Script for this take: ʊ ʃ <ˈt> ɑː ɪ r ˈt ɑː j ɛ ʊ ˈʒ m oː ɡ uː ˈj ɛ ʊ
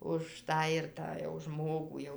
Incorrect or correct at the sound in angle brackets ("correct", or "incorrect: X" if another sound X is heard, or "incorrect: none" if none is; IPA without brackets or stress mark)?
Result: correct